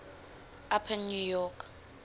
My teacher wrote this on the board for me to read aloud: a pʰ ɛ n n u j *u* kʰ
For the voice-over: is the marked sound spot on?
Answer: no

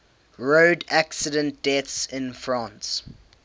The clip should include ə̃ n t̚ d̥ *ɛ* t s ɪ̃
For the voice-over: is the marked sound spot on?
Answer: yes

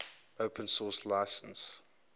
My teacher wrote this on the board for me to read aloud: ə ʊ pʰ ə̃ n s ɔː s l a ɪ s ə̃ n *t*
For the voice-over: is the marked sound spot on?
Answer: no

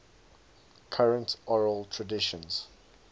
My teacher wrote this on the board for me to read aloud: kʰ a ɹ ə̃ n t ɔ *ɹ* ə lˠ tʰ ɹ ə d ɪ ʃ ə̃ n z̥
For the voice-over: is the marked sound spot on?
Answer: yes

